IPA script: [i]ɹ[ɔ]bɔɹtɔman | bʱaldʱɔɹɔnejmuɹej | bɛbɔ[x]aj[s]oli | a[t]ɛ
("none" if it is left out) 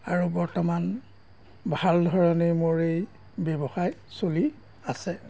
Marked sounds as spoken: a, u, x, s, s

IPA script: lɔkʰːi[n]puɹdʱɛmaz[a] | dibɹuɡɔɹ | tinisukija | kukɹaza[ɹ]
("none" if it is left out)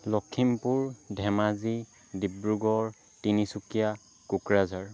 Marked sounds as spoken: m, i, ɹ

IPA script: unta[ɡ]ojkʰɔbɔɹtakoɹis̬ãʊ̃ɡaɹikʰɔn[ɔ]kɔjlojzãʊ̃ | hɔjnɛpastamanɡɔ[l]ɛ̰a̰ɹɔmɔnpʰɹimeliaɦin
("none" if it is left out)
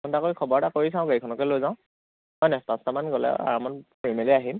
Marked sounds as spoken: k, ɔ, l

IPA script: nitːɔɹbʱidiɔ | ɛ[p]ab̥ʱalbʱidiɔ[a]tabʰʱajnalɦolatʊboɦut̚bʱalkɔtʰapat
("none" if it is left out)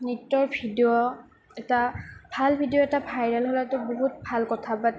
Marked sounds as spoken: t, ɛ

